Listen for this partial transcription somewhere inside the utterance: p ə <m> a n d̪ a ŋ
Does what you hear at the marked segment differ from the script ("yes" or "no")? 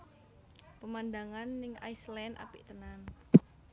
no